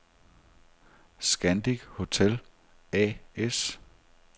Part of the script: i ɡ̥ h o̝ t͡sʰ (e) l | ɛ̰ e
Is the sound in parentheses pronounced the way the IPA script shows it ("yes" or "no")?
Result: yes